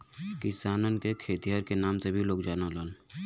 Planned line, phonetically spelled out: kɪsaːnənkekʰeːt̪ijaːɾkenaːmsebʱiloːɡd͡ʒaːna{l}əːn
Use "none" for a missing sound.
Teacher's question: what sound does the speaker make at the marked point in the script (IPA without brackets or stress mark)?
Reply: l